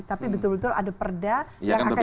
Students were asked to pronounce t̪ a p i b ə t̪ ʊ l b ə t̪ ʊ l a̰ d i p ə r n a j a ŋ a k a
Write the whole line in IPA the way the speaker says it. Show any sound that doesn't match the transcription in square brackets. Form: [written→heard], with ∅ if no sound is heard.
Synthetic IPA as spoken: t̪ a p i b ə t̪ ʊ l b ə t̪ ʊ l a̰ d [i→a] p ə r [n→d] a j a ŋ a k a

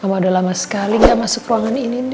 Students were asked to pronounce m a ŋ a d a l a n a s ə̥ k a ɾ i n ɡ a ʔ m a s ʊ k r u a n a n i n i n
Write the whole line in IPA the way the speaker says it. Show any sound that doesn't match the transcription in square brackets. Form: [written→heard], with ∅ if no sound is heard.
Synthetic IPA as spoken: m a [ŋ→m] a d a l a [n→m] a s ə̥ k a [ɾ→l] i [n→ŋ] ɡ a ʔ m a s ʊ k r u a [n→ŋ] a n i n i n

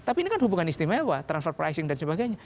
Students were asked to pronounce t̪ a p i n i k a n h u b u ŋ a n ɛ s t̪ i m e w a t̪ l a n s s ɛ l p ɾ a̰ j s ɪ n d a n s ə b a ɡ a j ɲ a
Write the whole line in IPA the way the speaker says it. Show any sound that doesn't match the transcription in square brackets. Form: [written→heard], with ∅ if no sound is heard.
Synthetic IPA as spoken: t̪ a p i n i k a n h u b u ŋ a n [ɛ→i] s t̪ i m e w a t̪ [l→ɾ] a n s [s→f] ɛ [l→r] p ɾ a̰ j s ɪ [n→ŋ] d a n s ə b a ɡ a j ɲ a

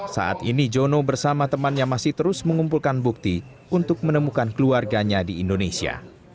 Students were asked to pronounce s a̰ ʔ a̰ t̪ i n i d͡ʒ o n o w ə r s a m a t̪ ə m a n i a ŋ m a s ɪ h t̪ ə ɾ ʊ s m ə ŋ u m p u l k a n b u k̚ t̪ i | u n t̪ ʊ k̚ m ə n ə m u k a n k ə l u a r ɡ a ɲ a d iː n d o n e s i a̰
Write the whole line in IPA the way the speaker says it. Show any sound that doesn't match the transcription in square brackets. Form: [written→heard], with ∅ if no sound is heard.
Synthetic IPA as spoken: s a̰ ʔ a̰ t̪ i n i d͡ʒ o n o [w→b] ə r s a m a t̪ ə m a n [i→j] a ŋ m a s ɪ h t̪ ə ɾ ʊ s m ə ŋ u m p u l k a n b u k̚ t̪ i | u n t̪ ʊ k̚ m ə n ə m u k a n k ə l u a r ɡ a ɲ a d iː n d o n e s i a̰

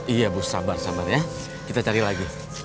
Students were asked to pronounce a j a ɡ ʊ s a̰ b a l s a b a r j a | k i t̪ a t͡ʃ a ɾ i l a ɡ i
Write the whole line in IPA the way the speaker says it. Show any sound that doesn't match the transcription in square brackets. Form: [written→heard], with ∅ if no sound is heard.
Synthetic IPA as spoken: [a→i] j a [ɡ→b] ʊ s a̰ b a [l→r] s a b a r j a | k i t̪ a t͡ʃ a ɾ i l a ɡ i

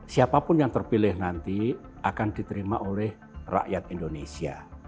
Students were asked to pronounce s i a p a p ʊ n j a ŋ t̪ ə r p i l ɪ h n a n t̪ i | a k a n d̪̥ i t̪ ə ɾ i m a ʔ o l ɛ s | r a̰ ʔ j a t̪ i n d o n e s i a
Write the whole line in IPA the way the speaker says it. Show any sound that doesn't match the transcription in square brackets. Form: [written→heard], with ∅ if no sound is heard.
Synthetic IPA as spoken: s i a p a p ʊ n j a ŋ t̪ ə r p i l ɪ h n a n t̪ i | a k a n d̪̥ i t̪ ə ɾ i m a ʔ o l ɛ [s→h] | r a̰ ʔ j a t̪ i n d o n e s i a

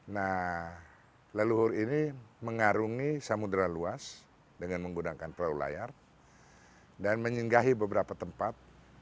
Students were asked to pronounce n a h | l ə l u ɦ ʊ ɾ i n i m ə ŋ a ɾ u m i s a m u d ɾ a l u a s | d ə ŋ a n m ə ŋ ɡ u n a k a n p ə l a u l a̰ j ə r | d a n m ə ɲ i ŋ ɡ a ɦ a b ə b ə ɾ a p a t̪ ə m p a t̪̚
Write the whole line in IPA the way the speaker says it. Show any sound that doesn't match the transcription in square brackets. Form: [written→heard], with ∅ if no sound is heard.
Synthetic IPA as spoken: n a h | l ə l u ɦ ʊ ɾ i n i m ə ŋ a ɾ u [m→ŋ] i s a m u d ɾ a l u a s | d ə ŋ a n m ə ŋ ɡ u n a k a n p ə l a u l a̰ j [ə→a] r | d a n m ə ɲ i ŋ ɡ a ɦ [a→i] b ə b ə ɾ a p a t̪ ə m p a t̪̚

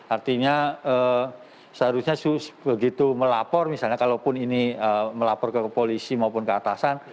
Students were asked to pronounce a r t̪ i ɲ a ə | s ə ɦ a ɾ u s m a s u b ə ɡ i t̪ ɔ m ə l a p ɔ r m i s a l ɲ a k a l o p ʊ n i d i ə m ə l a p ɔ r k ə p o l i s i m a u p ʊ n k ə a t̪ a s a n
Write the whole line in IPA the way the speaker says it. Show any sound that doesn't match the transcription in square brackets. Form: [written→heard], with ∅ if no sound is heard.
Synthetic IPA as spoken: a r t̪ i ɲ a ə | s ə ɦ a ɾ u s [m→ɲ] a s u b ə ɡ i t̪ [ɔ→u] m ə l a p ɔ r m i s a l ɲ a k a l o p ʊ n i [d→n] i ə m ə l a p ɔ r k ə p o l i s i m a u p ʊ n k ə a t̪ a s a n

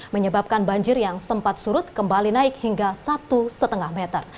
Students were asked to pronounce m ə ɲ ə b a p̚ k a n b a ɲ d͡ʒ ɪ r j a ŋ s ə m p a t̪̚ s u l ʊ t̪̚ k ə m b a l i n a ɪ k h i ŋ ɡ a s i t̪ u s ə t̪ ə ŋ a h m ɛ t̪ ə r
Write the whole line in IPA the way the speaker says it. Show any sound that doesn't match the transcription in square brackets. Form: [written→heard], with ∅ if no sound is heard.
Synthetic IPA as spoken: m ə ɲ ə b a p̚ k a n b a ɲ d͡ʒ ɪ r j a ŋ s ə m p a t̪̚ s u [l→ɾ] ʊ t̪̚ k ə m b a l i n a ɪ k h i ŋ ɡ a s [i→a] t̪ u s ə t̪ ə ŋ a h m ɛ t̪ ə r

